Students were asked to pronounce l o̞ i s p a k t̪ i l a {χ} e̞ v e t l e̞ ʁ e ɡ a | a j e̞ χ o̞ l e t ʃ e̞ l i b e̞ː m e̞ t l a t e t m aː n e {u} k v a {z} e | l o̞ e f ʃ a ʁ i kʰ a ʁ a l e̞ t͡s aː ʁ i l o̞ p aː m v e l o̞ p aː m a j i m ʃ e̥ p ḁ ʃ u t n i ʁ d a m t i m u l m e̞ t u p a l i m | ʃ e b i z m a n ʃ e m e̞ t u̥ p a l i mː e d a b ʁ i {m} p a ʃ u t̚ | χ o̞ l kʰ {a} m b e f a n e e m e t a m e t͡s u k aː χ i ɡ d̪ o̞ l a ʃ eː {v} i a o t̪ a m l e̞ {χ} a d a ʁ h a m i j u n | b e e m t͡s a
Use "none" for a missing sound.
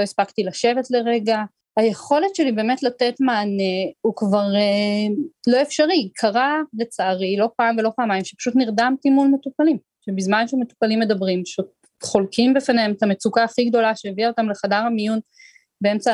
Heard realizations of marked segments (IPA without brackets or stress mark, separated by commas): ʃ, u, ʁ, m, i, v, χ